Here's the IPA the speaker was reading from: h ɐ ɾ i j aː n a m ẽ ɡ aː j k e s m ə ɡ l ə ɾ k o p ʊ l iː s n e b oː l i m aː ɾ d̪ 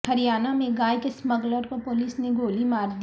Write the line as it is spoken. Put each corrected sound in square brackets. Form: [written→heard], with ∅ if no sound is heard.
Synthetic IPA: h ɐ ɾ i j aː n a m ẽ ɡ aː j k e s m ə ɡ l ə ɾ k o p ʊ l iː s n e [b→ɡ] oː l i m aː ɾ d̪